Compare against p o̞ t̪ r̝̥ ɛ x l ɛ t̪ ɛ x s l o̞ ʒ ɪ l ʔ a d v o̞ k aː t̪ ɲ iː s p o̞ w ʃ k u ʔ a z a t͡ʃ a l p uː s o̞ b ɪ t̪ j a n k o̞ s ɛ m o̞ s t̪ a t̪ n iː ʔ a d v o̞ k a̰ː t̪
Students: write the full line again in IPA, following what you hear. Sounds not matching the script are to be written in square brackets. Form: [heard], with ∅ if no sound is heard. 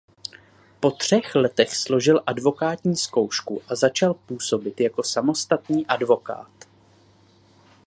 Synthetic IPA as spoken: p o̞ t̪ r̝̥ ɛ x l ɛ t̪ ɛ x s l o̞ ʒ ɪ l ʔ a d v o̞ k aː t̪ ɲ iː s [k] o̞ w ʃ k u ʔ a z a t͡ʃ a l p uː s o̞ b ɪ t̪ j a [∅] k o̞ s [a] m o̞ s t̪ a t̪ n iː ʔ a d v o̞ k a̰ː t̪